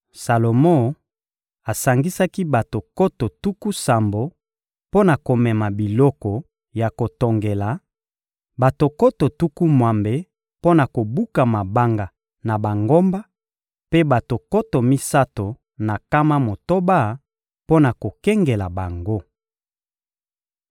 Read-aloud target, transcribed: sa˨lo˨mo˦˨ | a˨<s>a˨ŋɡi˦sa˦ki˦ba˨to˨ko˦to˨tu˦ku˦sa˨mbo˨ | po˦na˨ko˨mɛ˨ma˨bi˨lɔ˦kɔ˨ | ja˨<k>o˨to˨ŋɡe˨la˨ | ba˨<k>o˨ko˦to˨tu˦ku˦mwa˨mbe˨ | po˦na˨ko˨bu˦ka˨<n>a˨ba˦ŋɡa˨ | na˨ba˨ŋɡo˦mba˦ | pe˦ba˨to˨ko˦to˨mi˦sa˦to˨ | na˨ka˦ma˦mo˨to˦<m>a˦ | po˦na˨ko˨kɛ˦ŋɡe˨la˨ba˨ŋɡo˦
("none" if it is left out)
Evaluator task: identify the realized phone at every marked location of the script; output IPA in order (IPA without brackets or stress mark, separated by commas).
s, k, t, m, b